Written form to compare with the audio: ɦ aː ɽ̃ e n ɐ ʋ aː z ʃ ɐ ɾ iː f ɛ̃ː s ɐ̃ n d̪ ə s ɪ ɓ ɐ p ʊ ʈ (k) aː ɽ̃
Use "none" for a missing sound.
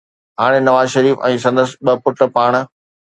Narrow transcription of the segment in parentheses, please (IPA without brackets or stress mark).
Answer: p